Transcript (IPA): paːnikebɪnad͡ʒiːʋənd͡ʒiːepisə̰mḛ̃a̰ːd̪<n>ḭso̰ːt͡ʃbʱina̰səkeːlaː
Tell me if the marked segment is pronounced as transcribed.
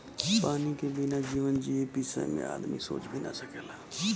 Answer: no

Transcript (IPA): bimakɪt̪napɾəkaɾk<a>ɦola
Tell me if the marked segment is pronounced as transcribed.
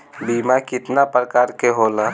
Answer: no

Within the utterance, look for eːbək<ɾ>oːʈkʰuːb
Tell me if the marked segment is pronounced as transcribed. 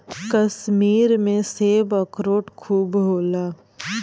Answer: yes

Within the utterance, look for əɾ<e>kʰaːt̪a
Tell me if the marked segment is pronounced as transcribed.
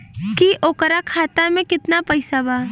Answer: no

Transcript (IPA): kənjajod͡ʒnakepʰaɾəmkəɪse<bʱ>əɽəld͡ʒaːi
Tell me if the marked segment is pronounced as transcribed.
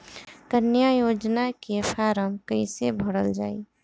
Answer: yes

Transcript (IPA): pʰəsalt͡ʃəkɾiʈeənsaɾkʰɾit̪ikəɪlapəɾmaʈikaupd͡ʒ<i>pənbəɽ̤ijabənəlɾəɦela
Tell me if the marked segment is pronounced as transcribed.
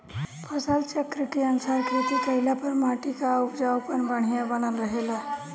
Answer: no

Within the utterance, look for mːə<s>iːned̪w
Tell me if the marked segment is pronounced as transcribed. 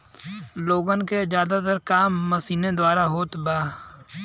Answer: yes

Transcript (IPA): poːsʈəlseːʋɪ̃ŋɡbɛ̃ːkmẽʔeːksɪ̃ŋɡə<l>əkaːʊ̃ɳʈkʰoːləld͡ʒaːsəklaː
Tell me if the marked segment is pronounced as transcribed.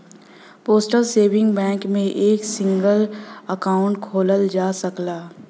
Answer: yes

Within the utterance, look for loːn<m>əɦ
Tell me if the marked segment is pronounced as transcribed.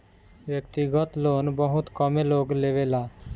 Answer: no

